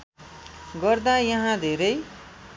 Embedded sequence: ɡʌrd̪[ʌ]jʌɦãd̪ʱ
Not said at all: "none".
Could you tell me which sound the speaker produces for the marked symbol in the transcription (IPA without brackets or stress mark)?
a